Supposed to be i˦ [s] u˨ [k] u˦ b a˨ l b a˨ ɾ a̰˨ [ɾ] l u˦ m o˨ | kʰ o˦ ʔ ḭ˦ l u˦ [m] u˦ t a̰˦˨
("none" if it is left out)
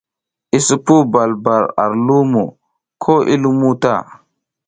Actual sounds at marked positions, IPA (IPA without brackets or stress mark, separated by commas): s, p, ɾ, m